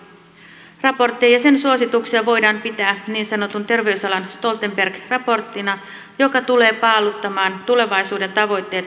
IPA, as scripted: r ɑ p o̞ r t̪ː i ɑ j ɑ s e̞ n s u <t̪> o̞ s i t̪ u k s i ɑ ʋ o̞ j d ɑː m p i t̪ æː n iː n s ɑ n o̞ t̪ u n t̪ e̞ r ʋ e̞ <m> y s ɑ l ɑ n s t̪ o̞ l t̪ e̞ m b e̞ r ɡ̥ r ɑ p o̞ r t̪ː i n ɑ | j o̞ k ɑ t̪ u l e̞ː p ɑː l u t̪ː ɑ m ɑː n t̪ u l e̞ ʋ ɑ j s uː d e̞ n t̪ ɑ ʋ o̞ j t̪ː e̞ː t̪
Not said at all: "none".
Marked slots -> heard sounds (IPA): none, none

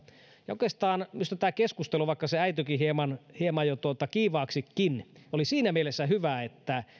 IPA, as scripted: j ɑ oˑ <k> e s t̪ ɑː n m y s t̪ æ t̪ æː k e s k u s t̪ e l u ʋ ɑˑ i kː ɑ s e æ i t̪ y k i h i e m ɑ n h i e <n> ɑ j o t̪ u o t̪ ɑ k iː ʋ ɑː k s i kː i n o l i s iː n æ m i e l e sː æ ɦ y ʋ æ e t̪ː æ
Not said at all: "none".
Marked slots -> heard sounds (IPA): k, m

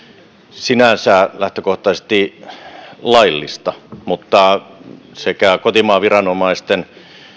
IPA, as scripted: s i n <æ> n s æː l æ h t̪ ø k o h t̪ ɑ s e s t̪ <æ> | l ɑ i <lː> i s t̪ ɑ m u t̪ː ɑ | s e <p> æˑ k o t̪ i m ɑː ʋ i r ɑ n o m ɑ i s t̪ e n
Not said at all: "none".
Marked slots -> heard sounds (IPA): æ, i, lː, k

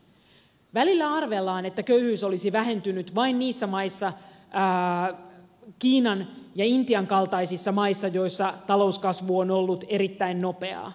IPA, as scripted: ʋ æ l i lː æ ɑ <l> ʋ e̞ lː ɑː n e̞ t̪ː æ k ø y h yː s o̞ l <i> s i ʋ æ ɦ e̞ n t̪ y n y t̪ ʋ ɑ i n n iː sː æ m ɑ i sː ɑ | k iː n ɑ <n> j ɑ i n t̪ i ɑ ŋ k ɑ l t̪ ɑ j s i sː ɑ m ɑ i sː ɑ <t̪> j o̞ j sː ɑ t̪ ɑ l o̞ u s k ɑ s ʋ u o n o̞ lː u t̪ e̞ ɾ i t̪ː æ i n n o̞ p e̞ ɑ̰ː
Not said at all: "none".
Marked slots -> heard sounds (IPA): r, i, n, none

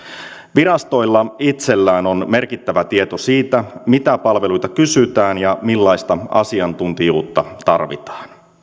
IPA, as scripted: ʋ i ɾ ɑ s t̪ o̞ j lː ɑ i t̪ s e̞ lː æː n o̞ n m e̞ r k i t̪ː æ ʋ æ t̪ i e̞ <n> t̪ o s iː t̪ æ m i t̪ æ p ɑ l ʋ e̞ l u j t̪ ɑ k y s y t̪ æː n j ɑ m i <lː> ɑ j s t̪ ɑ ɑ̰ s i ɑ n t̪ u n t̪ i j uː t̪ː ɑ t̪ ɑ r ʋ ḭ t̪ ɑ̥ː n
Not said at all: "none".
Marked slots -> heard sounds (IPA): none, lː

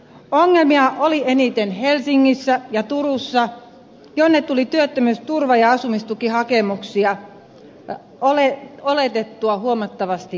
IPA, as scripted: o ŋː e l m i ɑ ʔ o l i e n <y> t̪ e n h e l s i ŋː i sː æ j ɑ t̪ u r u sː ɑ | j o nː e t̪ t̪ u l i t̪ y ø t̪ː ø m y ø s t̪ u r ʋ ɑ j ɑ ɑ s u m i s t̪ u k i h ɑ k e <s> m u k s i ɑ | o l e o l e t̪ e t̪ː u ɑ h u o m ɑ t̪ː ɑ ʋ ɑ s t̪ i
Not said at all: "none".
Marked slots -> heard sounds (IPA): i, none

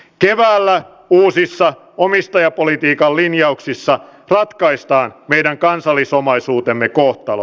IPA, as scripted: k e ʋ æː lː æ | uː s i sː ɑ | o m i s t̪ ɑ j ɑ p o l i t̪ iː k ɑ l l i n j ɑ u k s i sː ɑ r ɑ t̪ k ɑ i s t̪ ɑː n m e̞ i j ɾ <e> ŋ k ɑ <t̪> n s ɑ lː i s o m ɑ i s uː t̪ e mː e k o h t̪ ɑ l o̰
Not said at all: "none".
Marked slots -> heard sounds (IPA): æ, none

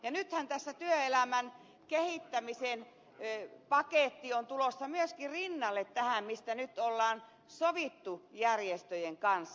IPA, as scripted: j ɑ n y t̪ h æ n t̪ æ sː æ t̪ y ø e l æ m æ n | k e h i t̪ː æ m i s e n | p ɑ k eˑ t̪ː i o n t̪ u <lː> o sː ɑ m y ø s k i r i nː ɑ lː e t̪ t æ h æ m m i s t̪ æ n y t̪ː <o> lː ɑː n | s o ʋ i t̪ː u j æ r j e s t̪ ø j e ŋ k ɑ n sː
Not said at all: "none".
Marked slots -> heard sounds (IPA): l, o

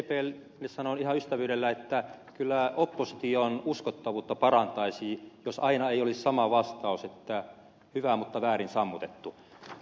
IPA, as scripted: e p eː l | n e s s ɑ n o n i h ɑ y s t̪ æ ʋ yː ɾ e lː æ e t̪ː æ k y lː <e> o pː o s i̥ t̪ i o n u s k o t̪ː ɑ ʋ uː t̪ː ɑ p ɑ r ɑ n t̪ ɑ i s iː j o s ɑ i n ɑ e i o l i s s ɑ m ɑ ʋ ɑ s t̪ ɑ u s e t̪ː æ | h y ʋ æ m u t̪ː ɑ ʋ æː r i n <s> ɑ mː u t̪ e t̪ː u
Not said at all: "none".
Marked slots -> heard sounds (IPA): æ, s

